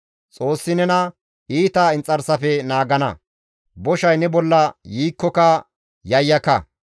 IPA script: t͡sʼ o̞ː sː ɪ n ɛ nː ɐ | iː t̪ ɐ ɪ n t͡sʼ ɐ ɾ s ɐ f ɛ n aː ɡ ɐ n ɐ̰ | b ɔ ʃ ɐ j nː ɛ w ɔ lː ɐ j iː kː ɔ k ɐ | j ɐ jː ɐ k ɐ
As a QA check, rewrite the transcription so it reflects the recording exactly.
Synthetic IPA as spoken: t͡sʼ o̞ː sː ɪ n ɛ n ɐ | iː t̪ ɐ ɪ n t͡sʼ ɐ ɾ s ɐ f ɛ n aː ɡ ɐ n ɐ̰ | b ɔ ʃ ɐ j n ɛ b ɔ lː ɐ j iː kː ɔ k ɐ | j ɐ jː ɐ k ɐ

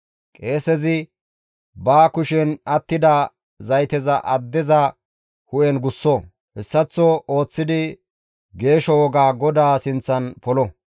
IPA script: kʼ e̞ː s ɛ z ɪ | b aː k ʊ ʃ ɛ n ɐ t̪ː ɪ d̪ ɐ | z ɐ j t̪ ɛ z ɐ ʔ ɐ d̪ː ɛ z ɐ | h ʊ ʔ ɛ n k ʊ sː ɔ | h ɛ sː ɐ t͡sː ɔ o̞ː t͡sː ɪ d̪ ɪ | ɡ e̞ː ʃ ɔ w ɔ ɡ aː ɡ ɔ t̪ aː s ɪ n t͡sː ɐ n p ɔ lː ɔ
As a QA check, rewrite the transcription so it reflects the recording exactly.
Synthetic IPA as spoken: kʼ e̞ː s ɛ z ɪ | b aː k ʊ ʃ ɛ n ɐ t̪ː ɪ d̪ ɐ | z ɐ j t̪ ɛ z ɐ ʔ ɐ d̪ː ɛ z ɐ | h ʊ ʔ ɛ n ɡ ʊ sː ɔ | h ɛ sː ɐ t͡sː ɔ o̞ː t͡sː ɪ d̪ ɪ | ɡ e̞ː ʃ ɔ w ɔ ɡ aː ɡ ɔ d̪ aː s ɪ n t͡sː ɐ n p ɔ l ɔ

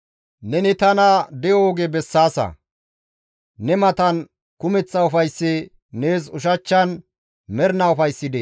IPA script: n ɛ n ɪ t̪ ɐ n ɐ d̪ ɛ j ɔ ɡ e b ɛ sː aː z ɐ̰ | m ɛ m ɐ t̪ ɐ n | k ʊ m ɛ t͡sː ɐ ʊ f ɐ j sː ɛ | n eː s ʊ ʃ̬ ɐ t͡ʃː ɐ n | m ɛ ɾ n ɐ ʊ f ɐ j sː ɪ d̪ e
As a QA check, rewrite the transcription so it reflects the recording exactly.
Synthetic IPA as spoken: n ɛ n ɪ t̪ ɐ n ɐ d̪ ɛ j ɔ ɡ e b ɛ sː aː s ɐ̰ | n ɛ m ɐ t̪ ɐ n | k ʊ m ɛ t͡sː ɐ ʊ f ɐ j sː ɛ | n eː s ʊ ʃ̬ ɐ t͡ʃː ɐ n | m ɛ ɾ n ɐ ʊ f ɐ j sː ɪ d̪ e

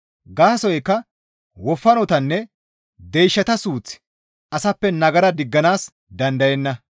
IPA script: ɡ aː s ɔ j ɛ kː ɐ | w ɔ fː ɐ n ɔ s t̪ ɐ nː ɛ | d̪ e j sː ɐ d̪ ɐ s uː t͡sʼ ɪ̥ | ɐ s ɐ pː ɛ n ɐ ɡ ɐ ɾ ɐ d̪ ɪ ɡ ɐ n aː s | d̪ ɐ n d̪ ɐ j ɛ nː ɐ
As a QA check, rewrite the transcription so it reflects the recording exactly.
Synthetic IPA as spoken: ɡ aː s ɔ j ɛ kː ɐ | w ɔ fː ɐ n ɔ t̪ ɐ nː ɛ | d̪ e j ʃː ɐ t̪ ɐ s uː t͡s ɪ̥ | ɐ s ɐ pː ɛ n ɐ ɡ ɐ ɾ ɐ d̪ ɪ ɡː ɐ n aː s | d̪ ɐ n d̪ ɐ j ɛ nː ɐ

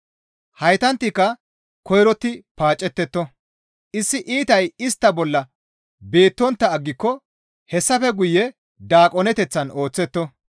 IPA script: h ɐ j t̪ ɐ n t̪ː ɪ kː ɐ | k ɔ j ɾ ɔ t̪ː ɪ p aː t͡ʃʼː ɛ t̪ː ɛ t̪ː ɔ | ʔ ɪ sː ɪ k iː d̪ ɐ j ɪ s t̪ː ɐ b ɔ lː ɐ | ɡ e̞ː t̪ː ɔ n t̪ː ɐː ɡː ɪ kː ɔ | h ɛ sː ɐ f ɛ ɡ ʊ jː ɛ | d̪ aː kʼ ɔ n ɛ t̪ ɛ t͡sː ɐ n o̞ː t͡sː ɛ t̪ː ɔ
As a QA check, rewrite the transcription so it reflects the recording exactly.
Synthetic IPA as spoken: h ɐ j t̪ ɐ n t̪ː ɪ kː ɐ | k ɔ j ɾ ɔ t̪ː ɪ p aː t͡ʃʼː ɛ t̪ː ɛ t̪ː ɔ | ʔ ɪ sː ɪ ʔ iː t̪ ɐ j ɪ s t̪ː ɐ b ɔ lː ɐ | b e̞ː t̪ː ɔ n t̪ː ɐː ɡː ɪ kː ɔ | h ɛ sː ɐ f ɛ ɡ ʊ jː ɛ | d̪ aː kʼ ɔ n ɛ t̪ ɛ t͡sː ɐ n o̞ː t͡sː ɛ t̪ː ɔ

